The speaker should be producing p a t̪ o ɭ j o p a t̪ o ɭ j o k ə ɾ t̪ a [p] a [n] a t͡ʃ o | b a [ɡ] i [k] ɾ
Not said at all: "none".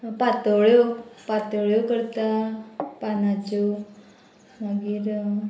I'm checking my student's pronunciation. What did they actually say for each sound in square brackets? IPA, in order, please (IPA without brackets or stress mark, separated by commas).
p, n, ɡ, none